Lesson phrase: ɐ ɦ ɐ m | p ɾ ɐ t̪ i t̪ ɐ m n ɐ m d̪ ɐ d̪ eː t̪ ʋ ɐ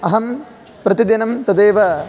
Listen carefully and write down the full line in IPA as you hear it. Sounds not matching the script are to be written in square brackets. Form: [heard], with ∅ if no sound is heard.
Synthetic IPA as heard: ɐ ɦ ɐ m | p ɾ ɐ t̪ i [d̪] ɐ [∅] n ɐ m [t̪] ɐ d̪ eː [∅] ʋ ɐ